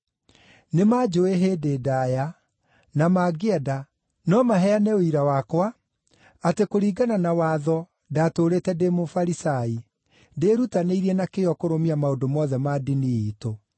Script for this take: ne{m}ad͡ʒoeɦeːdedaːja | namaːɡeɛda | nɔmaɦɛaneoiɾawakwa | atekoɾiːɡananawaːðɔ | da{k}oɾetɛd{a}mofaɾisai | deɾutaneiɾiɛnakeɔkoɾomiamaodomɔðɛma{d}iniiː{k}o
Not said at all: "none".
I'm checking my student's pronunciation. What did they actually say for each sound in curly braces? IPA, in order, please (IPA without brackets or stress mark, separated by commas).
m, t, e, d, t